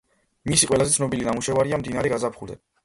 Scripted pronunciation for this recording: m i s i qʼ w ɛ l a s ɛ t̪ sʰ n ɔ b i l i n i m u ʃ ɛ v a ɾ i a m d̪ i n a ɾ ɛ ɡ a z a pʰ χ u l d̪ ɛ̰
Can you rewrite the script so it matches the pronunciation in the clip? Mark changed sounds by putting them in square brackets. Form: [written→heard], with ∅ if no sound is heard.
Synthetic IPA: m i s i qʼ w ɛ l a [s→z] ɛ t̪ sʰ n ɔ b i l i n [i→a] m u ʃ ɛ v a ɾ i a m d̪ i n a ɾ ɛ ɡ a z a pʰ χ u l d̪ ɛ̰